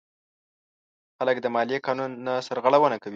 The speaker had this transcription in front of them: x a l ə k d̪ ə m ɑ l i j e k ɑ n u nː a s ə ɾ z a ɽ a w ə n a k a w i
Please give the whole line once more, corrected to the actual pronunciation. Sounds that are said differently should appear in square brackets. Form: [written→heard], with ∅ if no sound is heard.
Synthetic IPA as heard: x a l ə k d̪ ə m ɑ l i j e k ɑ n u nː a s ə ɾ [z→ɣ] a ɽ a w ə n a k a w i